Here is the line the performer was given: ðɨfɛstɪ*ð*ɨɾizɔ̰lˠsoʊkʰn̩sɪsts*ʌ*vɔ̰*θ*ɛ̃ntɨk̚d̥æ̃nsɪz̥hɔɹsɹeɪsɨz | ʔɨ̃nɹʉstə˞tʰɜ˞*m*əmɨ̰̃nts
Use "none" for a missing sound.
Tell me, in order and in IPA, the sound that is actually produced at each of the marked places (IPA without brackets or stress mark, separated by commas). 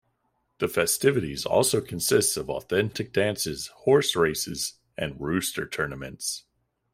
v, ʌ, θ, n